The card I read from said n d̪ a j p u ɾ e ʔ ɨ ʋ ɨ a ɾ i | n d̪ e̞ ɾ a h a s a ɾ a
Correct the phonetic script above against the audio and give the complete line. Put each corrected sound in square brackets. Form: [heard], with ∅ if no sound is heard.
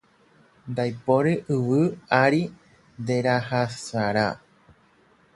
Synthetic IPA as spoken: n d̪ a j p [o] ɾ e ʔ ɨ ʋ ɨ a ɾ i | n d̪ e̞ ɾ a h a s a ɾ a